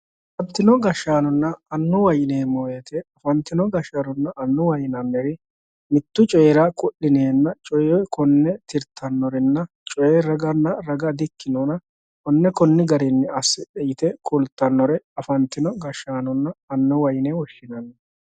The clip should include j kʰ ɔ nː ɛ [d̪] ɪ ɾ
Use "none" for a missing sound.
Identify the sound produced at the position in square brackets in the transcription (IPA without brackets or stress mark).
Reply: t̪